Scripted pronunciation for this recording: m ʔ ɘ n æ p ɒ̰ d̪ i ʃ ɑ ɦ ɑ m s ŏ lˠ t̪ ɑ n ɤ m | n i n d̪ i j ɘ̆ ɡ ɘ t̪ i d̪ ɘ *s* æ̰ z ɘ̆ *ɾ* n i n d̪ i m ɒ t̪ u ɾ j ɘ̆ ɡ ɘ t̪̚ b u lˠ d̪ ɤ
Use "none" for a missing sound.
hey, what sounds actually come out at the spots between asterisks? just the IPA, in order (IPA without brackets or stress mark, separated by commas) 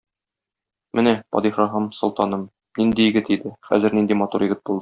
χ, ɾ